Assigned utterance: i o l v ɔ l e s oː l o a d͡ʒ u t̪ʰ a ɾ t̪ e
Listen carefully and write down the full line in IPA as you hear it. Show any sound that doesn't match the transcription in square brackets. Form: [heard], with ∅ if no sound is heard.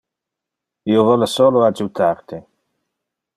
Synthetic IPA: i o [∅] v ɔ l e s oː l o a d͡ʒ u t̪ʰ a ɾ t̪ e